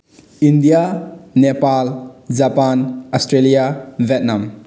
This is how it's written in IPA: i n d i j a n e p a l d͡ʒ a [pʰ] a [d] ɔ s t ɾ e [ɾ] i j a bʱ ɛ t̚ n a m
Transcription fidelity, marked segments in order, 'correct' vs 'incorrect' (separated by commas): incorrect, incorrect, incorrect